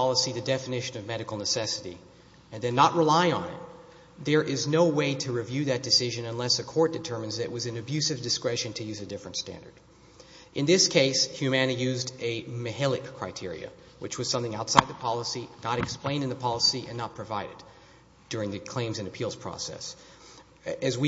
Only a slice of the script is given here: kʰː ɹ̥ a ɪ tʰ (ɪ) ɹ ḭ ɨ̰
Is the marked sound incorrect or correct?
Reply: correct